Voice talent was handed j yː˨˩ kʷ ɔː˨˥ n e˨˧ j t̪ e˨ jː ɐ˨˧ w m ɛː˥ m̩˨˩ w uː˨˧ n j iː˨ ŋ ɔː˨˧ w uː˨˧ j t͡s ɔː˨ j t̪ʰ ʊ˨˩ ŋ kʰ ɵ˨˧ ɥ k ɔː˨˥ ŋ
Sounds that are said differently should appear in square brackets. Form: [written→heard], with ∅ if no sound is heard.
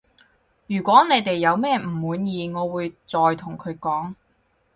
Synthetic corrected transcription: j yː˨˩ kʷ ɔː˨˥ n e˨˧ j t̪ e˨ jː ɐ˨˧ w m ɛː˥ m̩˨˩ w uː˨˧ n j iː˨ ŋ ɔː˨˧ w uː˨˧ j t͡s ɔː˨ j t̪ʰ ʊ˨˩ ŋ kʰ ɵ˨˧ ɥ k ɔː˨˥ ŋ